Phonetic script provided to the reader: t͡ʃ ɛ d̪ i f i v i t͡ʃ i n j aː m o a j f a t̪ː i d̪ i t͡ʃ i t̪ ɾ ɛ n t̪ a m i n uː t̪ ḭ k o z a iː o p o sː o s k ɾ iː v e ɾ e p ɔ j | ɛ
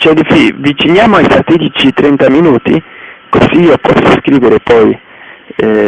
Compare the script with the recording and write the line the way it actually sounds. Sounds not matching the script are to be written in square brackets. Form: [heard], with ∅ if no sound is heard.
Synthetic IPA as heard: t͡ʃ ɛ d̪ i f i v i t͡ʃ i n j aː m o a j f a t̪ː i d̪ i t͡ʃ i t̪ ɾ ɛ n t̪ a m i n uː t̪ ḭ k o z [i] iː o p [ɔ] sː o s k ɾ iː v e ɾ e p ɔ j | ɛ